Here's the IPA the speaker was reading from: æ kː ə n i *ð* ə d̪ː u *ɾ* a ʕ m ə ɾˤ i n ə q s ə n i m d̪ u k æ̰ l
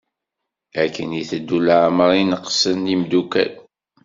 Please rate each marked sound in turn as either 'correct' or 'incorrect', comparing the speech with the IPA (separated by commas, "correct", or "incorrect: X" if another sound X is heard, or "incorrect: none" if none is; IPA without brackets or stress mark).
incorrect: θ, incorrect: l